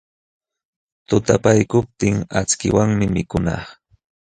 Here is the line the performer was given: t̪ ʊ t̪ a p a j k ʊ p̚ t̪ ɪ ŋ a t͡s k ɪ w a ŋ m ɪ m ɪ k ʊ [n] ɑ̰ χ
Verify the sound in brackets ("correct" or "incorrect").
correct